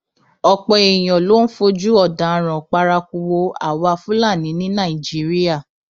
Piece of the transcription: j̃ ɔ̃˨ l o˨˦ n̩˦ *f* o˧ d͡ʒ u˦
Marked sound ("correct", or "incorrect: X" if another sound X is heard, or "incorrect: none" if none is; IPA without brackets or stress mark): correct